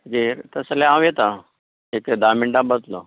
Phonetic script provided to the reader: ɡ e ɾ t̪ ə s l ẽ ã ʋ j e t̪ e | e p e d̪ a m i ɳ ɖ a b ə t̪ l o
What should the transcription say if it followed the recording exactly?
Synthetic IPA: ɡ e ɾ t̪ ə s l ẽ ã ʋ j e t̪ a | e k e d̪ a m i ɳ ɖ a b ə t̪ l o